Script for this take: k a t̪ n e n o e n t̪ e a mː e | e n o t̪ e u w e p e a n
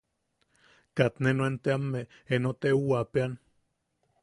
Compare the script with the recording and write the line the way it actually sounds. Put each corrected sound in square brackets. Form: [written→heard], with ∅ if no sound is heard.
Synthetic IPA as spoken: k a t̪ n e n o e n t̪ e a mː e | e n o t̪ e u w [e→a] p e a n